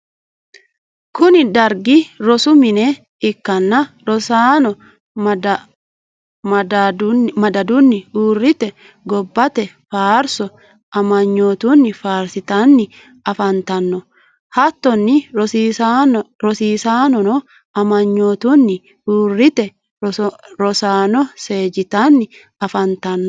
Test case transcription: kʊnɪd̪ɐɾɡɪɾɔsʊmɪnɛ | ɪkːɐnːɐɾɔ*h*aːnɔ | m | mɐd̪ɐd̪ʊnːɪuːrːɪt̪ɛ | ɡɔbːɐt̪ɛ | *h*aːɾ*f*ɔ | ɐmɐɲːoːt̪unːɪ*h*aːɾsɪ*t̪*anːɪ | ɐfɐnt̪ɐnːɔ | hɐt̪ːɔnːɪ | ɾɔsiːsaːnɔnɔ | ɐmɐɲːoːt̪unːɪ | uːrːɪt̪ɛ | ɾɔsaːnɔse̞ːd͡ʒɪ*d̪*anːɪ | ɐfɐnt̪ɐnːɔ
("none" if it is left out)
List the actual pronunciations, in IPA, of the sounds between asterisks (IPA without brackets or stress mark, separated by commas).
s, f, s, f, t̪, t̪